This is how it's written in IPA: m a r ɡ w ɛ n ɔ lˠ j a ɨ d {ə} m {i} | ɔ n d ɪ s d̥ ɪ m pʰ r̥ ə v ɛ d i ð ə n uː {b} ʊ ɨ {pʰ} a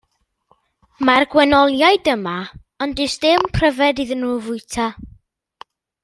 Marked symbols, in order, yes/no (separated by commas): yes, no, no, no